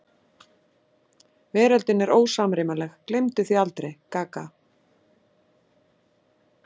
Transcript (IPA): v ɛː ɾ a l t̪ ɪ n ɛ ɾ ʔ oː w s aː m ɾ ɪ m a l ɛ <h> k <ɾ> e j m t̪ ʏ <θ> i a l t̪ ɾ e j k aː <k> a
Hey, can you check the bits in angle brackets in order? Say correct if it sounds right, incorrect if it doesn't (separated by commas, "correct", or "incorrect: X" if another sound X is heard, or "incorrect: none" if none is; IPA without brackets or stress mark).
incorrect: x, incorrect: l, correct, correct